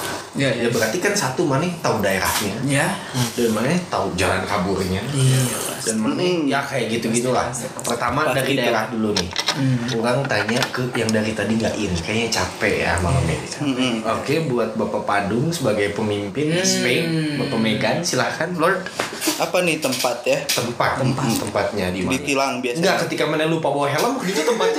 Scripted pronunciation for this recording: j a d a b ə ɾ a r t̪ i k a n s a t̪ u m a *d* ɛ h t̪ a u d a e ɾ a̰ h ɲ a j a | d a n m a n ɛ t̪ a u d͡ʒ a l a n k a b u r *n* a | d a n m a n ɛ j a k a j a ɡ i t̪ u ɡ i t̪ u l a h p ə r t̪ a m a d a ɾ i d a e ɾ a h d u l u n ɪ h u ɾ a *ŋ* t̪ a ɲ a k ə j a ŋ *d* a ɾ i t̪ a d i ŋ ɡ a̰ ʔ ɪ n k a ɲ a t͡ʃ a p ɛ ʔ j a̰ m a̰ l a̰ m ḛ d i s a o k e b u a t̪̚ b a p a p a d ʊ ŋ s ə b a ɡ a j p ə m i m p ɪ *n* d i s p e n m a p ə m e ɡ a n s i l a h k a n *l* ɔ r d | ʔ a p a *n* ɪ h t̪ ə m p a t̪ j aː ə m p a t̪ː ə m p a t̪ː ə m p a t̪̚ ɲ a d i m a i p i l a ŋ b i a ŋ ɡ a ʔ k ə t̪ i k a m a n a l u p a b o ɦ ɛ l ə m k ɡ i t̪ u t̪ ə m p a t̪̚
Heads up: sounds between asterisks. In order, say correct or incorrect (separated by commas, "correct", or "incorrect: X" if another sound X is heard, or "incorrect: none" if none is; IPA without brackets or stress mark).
incorrect: n, incorrect: ɲ, correct, correct, correct, correct, correct